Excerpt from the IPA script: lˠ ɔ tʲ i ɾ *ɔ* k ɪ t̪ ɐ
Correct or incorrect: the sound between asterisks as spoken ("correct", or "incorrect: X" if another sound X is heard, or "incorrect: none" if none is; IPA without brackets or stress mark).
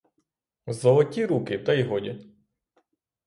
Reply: incorrect: u